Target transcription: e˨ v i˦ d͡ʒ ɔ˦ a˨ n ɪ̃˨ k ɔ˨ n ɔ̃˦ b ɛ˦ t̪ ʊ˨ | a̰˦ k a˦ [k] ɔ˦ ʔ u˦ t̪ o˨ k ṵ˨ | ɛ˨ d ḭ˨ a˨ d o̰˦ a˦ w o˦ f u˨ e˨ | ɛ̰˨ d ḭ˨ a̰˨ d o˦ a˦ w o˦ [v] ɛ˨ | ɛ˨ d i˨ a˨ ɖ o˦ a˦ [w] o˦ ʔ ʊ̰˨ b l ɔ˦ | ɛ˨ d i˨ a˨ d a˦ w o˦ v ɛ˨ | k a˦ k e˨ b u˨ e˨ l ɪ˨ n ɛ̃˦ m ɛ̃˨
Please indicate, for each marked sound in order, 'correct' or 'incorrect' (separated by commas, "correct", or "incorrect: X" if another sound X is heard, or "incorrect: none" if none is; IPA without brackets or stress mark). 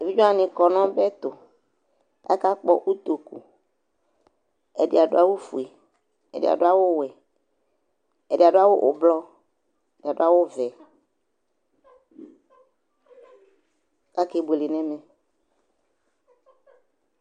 incorrect: k͡p, incorrect: w, correct